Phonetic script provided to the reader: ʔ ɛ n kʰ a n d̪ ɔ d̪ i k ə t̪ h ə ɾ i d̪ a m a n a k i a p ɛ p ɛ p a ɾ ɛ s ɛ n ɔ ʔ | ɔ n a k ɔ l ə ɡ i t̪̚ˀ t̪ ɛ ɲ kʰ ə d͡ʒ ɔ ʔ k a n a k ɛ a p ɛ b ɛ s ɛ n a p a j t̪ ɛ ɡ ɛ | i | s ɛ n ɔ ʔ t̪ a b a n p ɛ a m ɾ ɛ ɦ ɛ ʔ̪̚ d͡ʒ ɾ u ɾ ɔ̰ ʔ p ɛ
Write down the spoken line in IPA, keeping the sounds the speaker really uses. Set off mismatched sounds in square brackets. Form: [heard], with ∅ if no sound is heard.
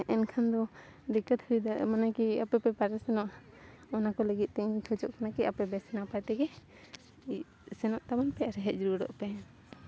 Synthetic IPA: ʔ ɛ n kʰ a n d̪ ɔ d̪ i k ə t̪ h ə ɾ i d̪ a m a n a k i a p ɛ p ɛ p a ɾ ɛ s ɛ n ɔ ʔ | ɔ n a k ɔ l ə ɡ i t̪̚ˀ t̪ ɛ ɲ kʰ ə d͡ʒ ɔ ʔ k a n a k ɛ a p ɛ b ɛ s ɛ n a p a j t̪ ɛ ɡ ɛ | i | s ɛ n ɔ ʔ t̪ a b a n p ɛ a [∅] ɾ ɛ ɦ ɛ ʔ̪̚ d͡ʒ ɾ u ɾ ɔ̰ ʔ p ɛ